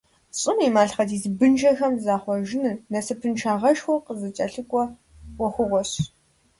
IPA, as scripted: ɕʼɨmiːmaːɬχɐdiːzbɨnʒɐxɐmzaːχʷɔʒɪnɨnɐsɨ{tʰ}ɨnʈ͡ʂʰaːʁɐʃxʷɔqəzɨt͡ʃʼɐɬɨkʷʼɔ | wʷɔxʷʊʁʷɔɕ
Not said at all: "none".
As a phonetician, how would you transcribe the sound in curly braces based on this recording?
pʰ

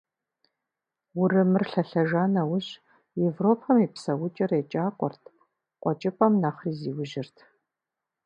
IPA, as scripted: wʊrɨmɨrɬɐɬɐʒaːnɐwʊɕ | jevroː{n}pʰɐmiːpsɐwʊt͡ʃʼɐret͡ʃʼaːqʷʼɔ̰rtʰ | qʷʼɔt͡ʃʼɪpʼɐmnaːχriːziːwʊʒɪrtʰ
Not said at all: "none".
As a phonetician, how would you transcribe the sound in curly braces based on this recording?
none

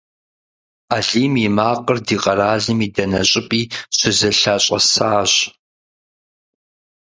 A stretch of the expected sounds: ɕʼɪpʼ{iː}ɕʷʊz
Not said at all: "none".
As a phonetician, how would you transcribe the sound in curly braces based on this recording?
iː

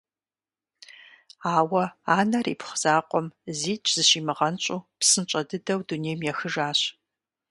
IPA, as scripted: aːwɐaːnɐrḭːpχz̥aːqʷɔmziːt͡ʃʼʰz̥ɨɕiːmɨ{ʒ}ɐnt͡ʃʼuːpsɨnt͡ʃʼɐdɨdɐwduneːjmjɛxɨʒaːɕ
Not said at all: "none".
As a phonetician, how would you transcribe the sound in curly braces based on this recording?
ʁ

